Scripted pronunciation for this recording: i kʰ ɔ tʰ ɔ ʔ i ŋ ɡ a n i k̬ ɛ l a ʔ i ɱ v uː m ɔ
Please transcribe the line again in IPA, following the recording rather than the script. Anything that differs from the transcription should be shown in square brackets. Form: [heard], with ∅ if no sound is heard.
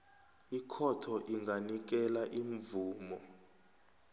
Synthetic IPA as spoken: i kʰ ɔ tʰ ɔ ʔ i ŋ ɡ a n i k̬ ɛ l a ʔ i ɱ v uː m ɔ